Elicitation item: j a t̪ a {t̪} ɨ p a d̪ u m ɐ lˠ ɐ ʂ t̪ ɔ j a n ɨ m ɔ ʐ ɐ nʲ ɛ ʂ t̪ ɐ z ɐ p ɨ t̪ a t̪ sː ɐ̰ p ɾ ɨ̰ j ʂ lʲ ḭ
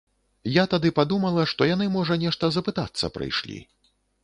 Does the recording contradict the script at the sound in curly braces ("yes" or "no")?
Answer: yes